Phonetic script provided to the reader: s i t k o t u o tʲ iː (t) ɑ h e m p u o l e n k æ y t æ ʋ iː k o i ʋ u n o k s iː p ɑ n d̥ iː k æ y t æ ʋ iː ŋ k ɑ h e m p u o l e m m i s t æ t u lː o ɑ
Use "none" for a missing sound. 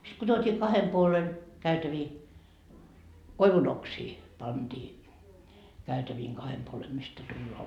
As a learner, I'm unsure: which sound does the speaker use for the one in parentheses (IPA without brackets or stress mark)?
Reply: k